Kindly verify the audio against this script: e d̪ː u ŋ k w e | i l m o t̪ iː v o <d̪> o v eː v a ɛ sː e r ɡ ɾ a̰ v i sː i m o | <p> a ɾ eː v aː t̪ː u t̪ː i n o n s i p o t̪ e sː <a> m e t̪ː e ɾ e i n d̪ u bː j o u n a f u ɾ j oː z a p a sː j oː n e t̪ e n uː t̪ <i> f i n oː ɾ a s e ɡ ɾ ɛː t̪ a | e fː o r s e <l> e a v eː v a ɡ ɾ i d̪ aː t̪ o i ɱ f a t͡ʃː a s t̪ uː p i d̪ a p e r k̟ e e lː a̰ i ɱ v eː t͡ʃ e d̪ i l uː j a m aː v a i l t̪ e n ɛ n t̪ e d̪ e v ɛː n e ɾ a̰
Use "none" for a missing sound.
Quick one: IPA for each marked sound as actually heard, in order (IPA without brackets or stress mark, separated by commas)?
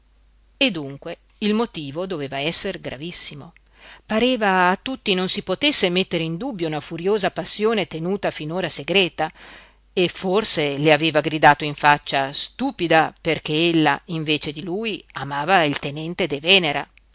d̪, p, e, a, l